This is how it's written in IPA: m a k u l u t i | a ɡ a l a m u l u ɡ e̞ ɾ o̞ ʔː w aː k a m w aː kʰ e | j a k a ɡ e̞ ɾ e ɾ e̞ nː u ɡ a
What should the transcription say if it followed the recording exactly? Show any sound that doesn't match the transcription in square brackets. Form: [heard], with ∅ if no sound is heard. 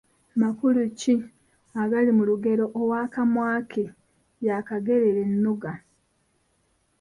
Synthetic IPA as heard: m a k u l u [c] i | a ɡ a l [i] m u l u ɡ e̞ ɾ o̞ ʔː w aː k a m w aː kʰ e | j a k a ɡ e̞ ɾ e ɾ e̞ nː u ɡ a